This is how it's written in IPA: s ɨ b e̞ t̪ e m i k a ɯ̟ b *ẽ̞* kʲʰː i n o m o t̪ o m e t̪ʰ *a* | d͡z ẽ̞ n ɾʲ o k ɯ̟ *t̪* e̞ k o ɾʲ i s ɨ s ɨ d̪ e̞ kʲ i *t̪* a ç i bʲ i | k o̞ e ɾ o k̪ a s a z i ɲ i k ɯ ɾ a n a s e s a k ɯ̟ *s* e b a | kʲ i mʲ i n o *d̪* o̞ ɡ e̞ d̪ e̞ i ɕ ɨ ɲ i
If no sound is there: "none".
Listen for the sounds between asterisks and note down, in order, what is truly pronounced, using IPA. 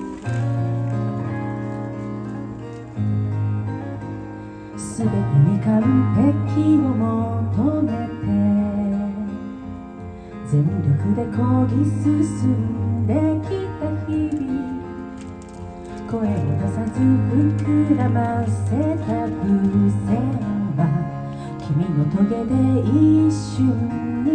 e̞, e, d̪, t̪, s, t̪

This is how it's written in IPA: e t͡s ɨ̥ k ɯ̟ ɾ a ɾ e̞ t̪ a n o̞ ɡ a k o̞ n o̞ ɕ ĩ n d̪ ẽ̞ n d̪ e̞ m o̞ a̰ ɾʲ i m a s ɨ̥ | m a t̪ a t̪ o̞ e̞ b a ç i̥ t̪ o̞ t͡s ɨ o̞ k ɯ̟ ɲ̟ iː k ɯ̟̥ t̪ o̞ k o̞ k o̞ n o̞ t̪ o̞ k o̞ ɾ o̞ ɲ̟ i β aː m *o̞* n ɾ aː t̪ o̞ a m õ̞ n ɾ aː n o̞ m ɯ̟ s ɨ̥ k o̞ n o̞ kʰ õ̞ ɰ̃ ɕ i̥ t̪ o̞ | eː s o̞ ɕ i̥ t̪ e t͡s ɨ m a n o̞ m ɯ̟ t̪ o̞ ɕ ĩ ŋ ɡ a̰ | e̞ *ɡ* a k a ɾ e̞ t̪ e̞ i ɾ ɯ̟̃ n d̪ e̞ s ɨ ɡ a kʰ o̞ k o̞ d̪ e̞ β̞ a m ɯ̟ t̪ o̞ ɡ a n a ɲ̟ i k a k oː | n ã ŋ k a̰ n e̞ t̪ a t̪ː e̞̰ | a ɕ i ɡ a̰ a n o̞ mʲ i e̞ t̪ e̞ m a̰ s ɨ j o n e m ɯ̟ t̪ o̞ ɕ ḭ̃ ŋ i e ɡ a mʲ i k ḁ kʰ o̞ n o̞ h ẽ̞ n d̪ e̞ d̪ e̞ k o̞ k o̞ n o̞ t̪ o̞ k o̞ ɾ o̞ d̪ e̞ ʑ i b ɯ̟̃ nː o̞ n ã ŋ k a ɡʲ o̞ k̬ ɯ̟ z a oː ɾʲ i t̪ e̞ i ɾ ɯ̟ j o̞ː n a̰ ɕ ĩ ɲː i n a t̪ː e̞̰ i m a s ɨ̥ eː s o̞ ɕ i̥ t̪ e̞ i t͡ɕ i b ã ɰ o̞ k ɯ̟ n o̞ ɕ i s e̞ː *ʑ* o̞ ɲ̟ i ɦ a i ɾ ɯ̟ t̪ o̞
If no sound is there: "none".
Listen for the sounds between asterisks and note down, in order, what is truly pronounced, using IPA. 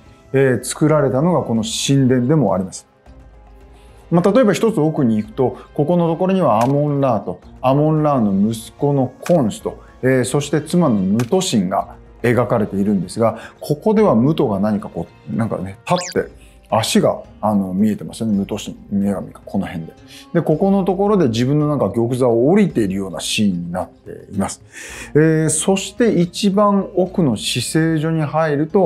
õ̞, ɡ, ʑ

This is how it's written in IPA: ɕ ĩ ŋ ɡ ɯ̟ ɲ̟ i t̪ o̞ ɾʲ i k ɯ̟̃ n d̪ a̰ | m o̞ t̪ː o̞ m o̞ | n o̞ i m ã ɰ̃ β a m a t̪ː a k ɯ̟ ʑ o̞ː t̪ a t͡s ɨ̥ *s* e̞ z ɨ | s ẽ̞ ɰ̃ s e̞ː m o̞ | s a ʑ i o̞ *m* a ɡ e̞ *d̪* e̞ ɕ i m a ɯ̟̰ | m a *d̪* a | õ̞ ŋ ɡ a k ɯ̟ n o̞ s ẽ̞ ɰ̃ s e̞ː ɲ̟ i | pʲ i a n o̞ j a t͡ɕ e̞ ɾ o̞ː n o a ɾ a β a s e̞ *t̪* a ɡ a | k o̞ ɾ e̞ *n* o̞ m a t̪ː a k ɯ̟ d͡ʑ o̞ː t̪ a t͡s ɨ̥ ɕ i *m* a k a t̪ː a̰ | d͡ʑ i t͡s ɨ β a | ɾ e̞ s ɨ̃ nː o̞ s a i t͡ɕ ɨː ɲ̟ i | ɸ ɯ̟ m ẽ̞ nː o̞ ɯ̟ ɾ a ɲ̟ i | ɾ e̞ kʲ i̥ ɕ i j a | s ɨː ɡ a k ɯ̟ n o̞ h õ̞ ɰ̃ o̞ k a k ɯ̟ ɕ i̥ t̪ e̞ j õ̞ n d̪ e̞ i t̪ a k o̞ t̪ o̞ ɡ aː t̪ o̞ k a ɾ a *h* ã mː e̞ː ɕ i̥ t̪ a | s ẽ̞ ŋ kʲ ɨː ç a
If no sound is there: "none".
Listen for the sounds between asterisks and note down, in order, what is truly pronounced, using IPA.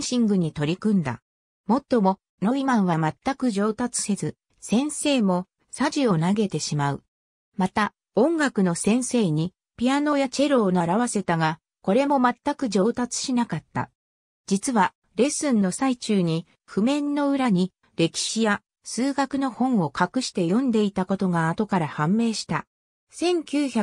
s, n, t̪, t̪, t̪, m, n, h

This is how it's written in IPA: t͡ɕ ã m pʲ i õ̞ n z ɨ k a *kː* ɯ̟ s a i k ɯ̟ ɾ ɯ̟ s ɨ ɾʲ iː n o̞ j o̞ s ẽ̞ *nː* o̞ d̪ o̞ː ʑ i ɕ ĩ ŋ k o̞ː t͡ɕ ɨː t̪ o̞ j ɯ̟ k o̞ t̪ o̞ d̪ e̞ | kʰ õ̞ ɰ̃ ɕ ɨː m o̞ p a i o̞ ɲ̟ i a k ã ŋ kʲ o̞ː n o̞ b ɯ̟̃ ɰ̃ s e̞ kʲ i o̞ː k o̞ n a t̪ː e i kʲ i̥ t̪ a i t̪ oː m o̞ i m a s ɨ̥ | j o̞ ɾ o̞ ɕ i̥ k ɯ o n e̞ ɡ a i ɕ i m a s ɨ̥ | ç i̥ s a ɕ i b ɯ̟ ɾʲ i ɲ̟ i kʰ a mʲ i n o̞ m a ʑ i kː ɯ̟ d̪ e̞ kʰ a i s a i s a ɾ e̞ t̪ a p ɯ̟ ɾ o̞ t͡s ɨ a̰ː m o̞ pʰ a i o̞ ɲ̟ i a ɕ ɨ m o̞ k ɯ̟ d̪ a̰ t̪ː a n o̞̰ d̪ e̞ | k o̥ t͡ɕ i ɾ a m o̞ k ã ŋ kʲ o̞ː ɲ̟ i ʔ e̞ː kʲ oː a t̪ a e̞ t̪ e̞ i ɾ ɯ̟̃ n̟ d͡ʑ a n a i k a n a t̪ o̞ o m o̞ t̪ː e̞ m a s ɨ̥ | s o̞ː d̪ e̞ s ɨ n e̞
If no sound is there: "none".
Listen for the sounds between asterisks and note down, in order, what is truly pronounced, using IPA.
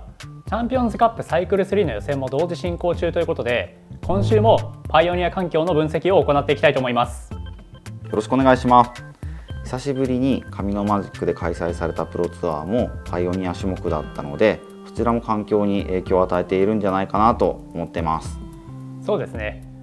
pː, mː

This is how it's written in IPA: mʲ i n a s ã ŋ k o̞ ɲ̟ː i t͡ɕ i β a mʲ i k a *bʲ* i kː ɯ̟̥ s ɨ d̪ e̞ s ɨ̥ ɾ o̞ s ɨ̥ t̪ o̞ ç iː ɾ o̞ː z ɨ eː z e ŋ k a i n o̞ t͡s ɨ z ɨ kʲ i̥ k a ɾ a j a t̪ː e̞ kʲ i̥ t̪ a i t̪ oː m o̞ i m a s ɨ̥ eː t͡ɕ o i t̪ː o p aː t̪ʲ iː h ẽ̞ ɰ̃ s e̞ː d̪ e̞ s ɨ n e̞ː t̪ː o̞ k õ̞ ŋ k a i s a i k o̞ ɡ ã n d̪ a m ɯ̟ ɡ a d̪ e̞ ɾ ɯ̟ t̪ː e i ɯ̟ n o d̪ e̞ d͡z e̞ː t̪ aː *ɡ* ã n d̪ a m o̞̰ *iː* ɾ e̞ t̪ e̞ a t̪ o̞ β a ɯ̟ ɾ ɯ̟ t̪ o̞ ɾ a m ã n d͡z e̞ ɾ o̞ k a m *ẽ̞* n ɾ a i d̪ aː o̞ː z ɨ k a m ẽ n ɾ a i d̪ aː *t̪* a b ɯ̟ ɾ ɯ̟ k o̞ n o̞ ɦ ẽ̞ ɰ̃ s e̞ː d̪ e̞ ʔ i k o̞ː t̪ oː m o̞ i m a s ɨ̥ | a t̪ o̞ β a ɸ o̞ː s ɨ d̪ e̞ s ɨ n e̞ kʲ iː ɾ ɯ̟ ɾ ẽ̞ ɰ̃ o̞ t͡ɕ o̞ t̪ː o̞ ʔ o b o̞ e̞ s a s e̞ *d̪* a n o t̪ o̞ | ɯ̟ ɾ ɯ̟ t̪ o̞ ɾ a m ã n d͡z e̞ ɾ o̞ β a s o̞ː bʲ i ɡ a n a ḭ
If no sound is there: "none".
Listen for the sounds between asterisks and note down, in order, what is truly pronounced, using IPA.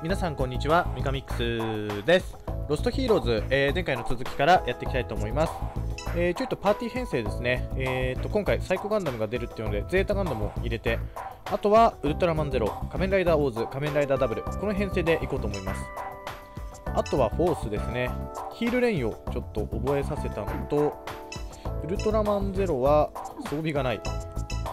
mʲ, ɡ, i, ẽ̞, d̪, t̪

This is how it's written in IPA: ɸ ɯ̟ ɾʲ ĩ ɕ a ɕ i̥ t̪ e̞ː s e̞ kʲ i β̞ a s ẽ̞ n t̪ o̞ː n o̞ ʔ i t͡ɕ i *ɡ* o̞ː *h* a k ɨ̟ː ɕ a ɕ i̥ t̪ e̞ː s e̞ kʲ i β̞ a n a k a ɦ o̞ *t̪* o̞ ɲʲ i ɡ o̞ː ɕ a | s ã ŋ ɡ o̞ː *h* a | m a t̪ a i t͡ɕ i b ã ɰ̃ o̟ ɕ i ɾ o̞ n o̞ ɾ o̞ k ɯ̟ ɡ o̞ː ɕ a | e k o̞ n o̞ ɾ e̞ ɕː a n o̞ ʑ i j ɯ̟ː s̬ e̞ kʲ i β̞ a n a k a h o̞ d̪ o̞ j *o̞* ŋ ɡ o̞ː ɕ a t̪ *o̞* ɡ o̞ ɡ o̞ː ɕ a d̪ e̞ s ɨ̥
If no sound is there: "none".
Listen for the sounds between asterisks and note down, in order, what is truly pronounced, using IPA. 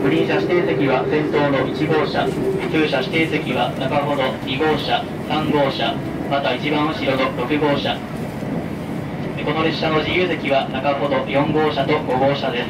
ɡ, ɕ, d̪, ɕ, õ̞, o̞

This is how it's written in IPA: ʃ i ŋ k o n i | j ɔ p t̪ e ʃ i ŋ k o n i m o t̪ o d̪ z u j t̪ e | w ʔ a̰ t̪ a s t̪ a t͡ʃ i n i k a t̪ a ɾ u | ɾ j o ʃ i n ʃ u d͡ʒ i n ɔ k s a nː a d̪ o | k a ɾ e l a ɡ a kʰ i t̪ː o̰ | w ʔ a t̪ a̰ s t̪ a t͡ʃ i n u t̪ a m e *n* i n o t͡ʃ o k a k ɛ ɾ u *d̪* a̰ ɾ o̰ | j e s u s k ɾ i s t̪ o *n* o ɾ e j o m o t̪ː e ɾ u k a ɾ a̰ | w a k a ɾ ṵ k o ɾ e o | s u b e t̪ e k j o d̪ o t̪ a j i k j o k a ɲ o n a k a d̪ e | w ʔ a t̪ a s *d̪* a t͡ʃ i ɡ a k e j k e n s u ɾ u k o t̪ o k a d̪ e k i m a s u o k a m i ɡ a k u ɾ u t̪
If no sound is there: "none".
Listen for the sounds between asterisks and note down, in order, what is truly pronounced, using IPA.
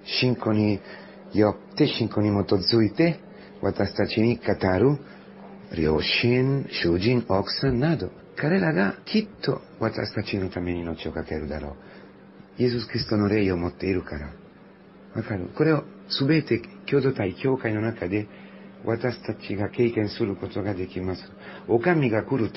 n, d̪, n, t̪

